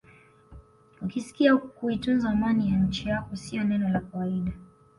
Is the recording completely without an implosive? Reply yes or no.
no